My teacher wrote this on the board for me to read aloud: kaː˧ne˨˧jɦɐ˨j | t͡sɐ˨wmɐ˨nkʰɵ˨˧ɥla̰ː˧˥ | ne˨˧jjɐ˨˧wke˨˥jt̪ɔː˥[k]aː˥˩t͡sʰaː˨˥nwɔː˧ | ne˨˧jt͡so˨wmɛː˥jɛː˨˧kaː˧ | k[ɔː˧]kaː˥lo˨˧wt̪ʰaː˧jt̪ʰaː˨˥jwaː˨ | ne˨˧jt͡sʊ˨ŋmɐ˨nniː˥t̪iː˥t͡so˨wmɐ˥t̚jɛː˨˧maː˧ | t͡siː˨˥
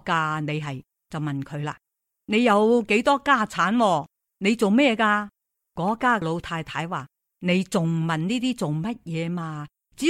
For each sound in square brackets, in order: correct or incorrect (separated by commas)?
correct, incorrect